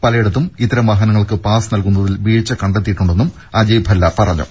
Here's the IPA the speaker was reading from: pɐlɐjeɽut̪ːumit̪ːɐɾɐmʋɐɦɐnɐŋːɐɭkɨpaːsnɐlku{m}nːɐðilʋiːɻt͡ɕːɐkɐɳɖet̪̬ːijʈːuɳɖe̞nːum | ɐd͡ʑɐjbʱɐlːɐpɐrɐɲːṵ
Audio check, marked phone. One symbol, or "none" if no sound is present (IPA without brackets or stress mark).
none